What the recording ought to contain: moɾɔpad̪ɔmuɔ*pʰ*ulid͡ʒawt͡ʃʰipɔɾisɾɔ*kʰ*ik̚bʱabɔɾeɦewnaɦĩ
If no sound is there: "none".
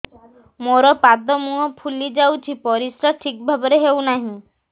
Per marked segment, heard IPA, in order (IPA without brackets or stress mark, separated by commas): pʰ, ʈʰ